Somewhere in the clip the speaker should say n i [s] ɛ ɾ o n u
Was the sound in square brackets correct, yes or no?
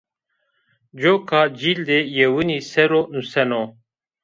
yes